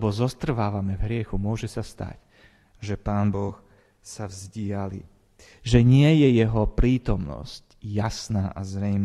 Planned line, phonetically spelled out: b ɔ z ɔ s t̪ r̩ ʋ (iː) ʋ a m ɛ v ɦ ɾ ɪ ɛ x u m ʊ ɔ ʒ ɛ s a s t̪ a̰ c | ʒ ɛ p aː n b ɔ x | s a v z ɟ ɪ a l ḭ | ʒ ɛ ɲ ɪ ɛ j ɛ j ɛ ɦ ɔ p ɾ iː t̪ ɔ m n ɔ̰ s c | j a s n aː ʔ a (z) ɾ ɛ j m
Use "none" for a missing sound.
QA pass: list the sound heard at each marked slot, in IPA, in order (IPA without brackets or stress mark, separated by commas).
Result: aː, z